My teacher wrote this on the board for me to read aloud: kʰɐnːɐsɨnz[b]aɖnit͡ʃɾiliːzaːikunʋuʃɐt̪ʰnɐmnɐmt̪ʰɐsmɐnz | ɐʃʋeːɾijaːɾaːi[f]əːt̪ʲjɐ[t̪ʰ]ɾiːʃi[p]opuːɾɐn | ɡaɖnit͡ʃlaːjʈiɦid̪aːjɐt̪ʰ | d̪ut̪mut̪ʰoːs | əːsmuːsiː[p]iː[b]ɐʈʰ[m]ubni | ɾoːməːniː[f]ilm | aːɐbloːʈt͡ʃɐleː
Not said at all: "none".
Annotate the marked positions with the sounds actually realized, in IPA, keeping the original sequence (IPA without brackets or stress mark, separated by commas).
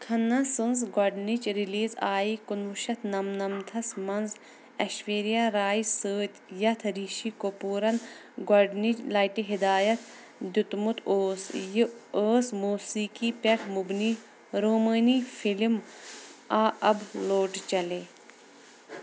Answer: ɡ, s, t̪ʰ, k, k, p, m, f